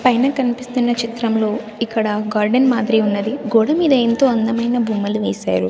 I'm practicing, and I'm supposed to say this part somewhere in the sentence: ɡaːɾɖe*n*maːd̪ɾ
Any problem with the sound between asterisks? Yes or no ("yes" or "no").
no